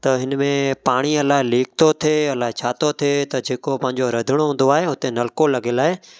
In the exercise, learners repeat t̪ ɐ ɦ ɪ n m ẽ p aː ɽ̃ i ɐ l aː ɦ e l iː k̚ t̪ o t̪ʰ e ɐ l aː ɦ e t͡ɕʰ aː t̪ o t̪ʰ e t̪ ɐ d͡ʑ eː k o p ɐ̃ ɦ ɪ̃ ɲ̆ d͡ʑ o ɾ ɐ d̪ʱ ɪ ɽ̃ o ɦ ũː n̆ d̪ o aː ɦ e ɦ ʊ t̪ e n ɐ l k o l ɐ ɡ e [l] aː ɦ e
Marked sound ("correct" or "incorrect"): correct